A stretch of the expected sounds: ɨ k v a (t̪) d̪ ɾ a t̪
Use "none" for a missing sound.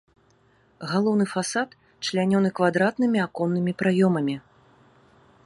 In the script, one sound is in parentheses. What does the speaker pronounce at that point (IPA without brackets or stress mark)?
none